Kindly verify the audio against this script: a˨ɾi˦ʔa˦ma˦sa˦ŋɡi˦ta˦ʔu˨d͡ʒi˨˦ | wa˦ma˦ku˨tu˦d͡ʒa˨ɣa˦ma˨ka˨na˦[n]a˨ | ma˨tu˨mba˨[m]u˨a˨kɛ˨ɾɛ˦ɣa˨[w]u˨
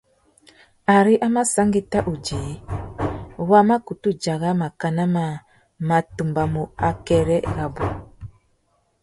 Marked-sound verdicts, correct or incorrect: incorrect, correct, incorrect

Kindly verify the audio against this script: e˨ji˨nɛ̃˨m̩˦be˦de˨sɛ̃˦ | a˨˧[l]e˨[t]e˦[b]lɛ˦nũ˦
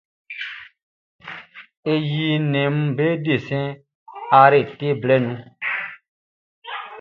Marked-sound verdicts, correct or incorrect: incorrect, correct, correct

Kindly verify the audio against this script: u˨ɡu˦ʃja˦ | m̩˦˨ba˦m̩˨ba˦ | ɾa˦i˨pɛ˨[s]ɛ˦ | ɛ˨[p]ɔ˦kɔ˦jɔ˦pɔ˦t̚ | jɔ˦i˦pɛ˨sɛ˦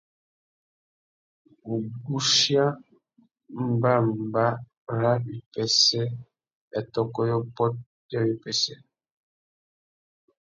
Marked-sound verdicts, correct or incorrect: correct, incorrect

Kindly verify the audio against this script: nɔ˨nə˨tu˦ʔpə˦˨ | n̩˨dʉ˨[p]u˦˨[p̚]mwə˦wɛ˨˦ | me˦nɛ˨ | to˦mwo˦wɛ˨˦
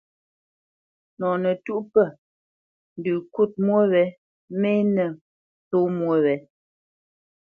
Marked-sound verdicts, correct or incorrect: incorrect, incorrect

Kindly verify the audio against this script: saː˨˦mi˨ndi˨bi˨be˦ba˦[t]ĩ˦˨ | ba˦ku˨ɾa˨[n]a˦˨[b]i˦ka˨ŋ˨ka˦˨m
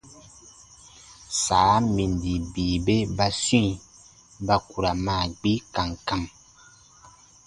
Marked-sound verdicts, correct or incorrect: incorrect, incorrect, incorrect

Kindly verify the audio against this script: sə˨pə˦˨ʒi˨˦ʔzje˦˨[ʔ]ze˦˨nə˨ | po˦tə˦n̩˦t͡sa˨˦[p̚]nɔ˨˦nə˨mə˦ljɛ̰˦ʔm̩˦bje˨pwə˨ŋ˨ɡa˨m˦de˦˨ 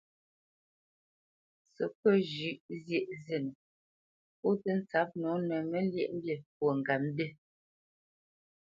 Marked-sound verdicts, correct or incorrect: correct, correct

